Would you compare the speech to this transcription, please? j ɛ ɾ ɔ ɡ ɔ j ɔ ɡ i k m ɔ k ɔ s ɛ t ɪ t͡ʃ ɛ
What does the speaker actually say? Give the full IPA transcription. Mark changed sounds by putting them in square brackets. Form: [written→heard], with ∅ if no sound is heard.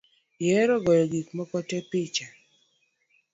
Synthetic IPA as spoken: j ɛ ɾ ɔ ɡ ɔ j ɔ ɡ i k m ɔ k ɔ [s→t] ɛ [t→p] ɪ t͡ʃ [ɛ→a]